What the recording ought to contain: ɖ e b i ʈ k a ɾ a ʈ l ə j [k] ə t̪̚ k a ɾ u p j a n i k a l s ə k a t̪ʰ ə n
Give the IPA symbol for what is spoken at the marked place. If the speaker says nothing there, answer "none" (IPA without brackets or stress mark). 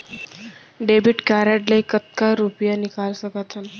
k